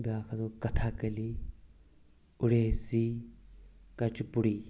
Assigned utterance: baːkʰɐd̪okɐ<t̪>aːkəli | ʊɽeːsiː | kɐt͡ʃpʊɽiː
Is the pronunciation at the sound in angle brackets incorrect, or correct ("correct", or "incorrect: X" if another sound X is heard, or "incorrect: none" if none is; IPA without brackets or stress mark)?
incorrect: t̪ʰ